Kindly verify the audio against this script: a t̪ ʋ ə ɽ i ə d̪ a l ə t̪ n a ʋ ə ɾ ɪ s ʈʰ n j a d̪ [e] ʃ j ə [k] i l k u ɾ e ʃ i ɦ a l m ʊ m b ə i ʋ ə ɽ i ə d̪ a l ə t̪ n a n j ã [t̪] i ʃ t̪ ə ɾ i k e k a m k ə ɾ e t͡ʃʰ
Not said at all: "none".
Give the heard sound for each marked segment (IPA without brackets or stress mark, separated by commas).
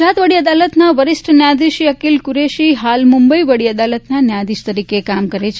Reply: i, k, d̪